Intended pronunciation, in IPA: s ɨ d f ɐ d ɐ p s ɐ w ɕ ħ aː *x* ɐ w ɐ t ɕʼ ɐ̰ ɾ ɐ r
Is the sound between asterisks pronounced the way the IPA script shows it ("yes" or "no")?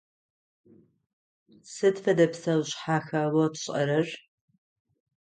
yes